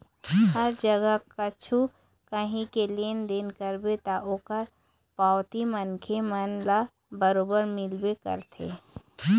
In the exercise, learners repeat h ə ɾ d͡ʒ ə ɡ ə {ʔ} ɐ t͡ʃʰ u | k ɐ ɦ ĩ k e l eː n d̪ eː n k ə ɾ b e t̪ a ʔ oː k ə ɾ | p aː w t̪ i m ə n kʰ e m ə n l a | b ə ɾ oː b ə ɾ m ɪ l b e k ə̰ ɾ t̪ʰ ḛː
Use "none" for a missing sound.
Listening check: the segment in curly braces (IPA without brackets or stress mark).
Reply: k